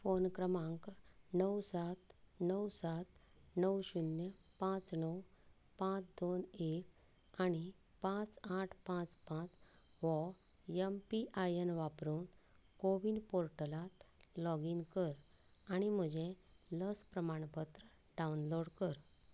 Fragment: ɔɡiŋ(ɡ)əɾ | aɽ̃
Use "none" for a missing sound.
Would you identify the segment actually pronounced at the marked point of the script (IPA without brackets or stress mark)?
k